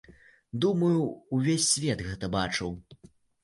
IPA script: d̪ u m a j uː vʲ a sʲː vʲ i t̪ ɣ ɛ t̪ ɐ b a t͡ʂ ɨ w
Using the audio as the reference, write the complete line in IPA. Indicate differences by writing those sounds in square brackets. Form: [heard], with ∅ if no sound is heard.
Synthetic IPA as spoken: d̪ u m [ɐ] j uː vʲ [e] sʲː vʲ [ɛ] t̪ ɣ ɛ t̪ ɐ b a t͡ʂ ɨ w

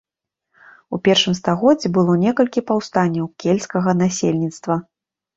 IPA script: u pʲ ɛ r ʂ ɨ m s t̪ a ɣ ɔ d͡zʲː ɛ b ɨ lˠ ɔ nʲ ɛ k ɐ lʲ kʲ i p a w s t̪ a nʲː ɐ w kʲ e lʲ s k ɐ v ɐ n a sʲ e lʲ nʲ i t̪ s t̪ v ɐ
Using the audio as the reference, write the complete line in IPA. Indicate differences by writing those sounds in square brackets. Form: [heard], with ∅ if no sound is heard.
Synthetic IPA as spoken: u pʲ ɛ r ʂ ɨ m s t̪ a ɣ ɔ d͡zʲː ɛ b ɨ lˠ ɔ nʲ ɛ k ɐ lʲ kʲ i p a w s t̪ a nʲː ɐ w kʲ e lʲ s k ɐ [ɣ] ɐ n a sʲ e lʲ nʲ i t̪ s t̪ v ɐ

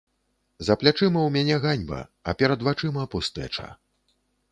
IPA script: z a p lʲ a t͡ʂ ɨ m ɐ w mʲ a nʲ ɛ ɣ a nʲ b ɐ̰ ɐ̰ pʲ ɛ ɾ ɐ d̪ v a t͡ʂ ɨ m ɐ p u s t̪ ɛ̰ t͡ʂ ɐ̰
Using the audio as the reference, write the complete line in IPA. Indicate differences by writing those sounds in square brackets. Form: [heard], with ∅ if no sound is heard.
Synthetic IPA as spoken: z [ɐ] p lʲ a t͡ʂ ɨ m ɐ w mʲ a nʲ ɛ ɣ a nʲ b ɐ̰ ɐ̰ pʲ ɛ ɾ ɐ d̪ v a t͡ʂ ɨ m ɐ p u s t̪ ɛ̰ t͡ʂ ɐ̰

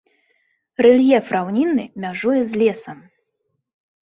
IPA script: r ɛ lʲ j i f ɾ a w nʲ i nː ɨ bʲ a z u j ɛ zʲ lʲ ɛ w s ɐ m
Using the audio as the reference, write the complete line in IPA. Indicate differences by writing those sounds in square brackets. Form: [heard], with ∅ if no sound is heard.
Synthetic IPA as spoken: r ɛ lʲ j [ɛ] f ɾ a w nʲ i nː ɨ [mʲ] a [ʐ] u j ɛ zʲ lʲ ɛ [∅] s ɐ m

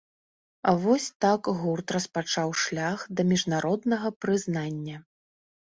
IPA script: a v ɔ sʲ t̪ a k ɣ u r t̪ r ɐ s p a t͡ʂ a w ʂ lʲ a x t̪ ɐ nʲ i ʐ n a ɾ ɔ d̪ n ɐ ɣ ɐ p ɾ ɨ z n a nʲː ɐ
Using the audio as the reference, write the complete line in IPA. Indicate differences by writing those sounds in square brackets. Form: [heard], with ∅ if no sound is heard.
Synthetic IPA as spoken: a v ɔ sʲ t̪ a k ɣ u r t̪ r ɐ s p a t͡ʂ a w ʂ lʲ a x [d̪] ɐ [mʲ] i ʐ n a ɾ ɔ d̪ n ɐ ɣ ɐ p ɾ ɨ z n a nʲː ɐ

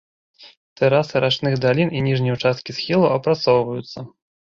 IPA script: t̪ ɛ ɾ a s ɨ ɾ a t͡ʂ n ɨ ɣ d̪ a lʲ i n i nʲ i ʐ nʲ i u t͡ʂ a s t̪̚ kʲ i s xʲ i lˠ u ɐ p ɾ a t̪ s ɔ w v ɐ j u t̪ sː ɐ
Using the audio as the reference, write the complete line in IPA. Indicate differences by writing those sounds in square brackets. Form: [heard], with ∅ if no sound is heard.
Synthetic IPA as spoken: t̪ ɛ ɾ a s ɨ ɾ a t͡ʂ n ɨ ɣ d̪ a lʲ i n i nʲ i ʐ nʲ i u t͡ʂ a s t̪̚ kʲ i s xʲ i lˠ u ɐ p ɾ a t̪ s ɔ w v ɐ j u t̪ sː ɐ

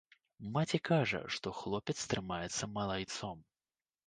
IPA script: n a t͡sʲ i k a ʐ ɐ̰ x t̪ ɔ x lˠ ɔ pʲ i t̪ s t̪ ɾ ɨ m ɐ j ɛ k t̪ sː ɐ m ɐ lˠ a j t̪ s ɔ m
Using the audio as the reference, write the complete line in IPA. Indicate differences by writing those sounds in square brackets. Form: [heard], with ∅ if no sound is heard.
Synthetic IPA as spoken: [m] a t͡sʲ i k a ʐ ɐ̰ [ʂ] t̪ ɔ x lˠ ɔ pʲ [ɛ] t̪ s t̪ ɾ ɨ m [a] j ɛ [∅] t̪ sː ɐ m ɐ lˠ a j t̪ s ɔ m

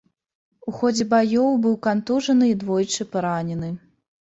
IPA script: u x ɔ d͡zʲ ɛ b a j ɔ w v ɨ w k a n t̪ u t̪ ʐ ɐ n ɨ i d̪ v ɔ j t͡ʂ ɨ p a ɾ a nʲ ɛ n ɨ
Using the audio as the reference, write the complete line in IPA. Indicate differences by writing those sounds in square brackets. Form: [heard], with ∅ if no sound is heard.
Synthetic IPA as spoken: u x ɔ d͡zʲ ɛ b a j ɔ w [b] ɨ w k a n t̪ u [∅] ʐ ɐ n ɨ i d̪ v ɔ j t͡ʂ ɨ p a ɾ a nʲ ɛ n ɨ

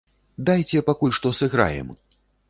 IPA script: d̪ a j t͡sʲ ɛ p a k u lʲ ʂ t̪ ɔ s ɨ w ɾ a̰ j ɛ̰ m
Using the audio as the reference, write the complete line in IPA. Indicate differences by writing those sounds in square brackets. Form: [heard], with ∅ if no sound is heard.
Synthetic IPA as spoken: d̪ a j t͡sʲ ɛ p a k u lʲ ʂ t̪ ɔ s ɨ [ɣ] ɾ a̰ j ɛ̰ m

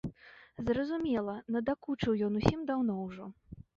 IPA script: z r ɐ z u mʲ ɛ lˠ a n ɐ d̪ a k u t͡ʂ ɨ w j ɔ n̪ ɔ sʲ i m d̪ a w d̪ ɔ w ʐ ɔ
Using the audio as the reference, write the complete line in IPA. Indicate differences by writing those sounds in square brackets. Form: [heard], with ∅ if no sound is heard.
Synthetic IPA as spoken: z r ɐ z u mʲ ɛ lˠ [ɐ] n ɐ d̪ a k u t͡ʂ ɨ w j ɔ n̪ [u] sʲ i m d̪ a w [n̪] ɔ w ʐ ɔ

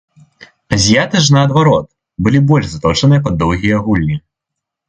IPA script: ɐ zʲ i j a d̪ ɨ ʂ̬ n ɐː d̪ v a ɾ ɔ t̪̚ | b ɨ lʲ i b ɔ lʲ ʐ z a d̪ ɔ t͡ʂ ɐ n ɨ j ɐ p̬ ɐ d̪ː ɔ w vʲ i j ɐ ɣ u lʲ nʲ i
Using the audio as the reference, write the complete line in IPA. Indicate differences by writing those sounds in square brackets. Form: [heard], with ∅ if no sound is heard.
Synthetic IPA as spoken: ɐ zʲ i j a [t̪] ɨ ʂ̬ n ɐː d̪ v a ɾ ɔ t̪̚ | b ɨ lʲ i b ɔ lʲ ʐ z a [t̪] ɔ t͡ʂ ɐ n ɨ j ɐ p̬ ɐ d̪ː ɔ w [ɣʲ] i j ɐ ɣ u lʲ nʲ i

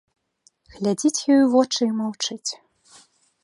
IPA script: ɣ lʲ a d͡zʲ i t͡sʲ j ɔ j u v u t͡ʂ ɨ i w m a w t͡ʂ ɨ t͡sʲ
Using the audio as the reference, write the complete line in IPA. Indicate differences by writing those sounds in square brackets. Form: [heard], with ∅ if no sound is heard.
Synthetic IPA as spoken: ɣ lʲ a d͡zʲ i t͡sʲ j ɔ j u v [ɔ] t͡ʂ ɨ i [∅] m a w t͡ʂ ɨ t͡sʲ

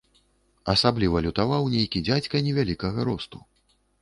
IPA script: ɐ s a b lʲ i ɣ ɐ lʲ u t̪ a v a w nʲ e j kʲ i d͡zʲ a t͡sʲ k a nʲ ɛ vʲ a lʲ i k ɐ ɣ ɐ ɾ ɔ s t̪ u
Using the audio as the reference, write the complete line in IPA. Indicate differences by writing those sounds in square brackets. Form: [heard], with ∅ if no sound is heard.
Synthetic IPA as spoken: ɐ s a b lʲ i [v] ɐ lʲ u t̪ a v a w nʲ e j kʲ i d͡zʲ a t͡sʲ k [ɐ] nʲ ɛ vʲ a lʲ i k ɐ ɣ ɐ ɾ ɔ s t̪ u

